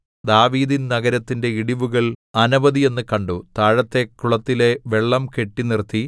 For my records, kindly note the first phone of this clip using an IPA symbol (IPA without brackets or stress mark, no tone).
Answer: d̪